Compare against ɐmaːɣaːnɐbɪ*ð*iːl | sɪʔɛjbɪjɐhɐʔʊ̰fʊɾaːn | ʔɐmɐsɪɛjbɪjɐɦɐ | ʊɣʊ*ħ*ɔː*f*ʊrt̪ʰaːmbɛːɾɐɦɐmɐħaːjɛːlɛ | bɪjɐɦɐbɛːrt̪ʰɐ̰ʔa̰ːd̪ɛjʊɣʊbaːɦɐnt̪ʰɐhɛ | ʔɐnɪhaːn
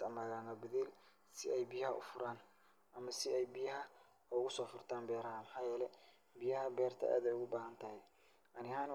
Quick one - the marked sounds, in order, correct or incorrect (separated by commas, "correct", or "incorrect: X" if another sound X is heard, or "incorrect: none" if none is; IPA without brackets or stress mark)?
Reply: correct, incorrect: s, correct